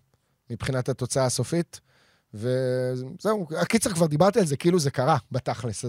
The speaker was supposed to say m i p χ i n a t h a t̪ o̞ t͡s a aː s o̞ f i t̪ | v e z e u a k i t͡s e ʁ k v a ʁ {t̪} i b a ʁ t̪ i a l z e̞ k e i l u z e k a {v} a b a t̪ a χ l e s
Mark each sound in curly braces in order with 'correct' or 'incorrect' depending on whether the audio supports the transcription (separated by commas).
incorrect, incorrect